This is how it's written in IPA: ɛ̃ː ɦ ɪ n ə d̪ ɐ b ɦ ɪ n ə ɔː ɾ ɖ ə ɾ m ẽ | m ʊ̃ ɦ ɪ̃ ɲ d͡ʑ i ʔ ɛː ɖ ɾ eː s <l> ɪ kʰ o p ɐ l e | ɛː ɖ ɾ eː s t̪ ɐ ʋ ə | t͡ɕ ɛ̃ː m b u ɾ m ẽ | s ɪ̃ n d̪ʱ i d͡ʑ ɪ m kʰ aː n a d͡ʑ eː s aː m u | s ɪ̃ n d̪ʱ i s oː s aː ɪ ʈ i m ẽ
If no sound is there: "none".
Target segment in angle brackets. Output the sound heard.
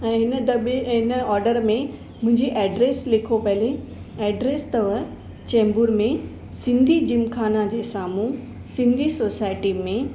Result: l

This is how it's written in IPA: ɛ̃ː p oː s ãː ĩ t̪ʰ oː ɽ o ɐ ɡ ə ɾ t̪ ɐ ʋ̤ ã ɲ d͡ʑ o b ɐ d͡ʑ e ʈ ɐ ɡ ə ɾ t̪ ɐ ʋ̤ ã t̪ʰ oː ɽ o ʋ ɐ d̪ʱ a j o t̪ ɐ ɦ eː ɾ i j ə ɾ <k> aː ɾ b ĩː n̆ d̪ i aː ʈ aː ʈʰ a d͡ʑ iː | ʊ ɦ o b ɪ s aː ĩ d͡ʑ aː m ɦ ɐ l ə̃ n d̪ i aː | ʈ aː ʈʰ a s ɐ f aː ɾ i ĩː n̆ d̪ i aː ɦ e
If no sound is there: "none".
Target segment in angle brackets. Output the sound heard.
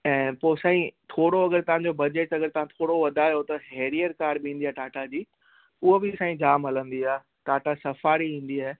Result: k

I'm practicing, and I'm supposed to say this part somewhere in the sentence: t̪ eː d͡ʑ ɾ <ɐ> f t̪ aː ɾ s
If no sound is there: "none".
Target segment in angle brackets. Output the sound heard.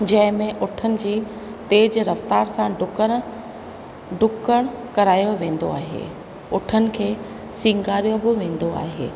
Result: ɐ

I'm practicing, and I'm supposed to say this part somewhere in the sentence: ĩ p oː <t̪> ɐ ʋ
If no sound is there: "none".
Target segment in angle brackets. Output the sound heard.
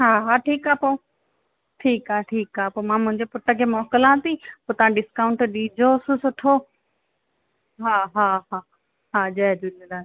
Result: t̪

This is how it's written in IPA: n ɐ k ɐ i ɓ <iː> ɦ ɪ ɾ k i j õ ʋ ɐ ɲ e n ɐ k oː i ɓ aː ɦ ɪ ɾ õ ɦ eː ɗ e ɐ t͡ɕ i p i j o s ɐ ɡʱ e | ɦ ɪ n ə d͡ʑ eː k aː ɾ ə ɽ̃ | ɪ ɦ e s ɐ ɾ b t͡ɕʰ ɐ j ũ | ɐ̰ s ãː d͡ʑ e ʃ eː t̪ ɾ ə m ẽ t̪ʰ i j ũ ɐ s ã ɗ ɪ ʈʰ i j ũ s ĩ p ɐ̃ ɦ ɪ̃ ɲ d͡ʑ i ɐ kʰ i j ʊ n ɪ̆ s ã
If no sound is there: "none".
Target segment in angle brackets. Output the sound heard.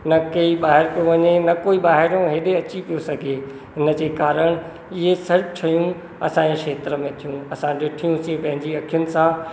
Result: aː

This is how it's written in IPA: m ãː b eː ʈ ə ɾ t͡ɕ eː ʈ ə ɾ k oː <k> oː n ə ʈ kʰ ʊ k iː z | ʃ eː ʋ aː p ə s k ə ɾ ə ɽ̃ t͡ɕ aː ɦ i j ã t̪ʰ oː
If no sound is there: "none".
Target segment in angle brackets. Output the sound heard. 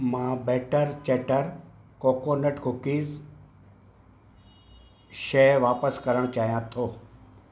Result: k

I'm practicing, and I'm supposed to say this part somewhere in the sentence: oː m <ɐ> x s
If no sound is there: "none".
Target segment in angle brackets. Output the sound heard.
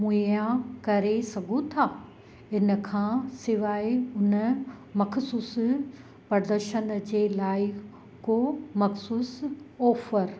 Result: ɐ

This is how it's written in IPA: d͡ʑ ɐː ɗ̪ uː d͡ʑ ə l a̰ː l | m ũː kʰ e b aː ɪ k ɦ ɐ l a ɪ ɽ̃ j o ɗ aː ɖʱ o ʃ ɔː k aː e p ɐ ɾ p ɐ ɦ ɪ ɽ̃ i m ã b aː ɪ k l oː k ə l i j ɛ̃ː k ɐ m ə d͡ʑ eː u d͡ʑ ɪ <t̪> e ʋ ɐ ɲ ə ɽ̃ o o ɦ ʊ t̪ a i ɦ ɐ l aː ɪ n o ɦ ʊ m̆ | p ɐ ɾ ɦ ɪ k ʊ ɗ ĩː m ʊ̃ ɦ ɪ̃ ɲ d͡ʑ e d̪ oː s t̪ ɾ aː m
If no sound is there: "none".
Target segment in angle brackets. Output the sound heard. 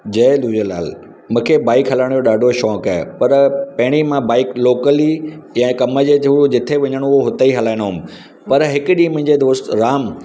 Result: t̪ʰ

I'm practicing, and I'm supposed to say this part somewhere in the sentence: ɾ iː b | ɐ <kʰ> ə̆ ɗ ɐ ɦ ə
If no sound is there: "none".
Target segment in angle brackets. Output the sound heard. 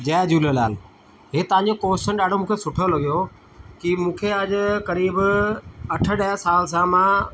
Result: ʈʰ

